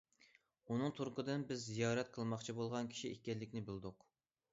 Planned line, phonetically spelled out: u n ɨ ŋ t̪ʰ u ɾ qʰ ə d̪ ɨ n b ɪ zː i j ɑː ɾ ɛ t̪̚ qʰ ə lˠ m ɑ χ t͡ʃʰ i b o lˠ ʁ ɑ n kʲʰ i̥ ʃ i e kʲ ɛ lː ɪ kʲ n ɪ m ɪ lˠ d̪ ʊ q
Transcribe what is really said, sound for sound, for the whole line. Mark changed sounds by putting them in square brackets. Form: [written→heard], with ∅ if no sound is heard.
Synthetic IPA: u n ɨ ŋ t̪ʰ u ɾ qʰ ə d̪ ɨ n b ɪ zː i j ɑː ɾ ɛ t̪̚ qʰ ə lˠ m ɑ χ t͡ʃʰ i b o lˠ ʁ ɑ n kʲʰ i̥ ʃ i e kʲ ɛ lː ɪ kʲ n ɪ [m→b] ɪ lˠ d̪ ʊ q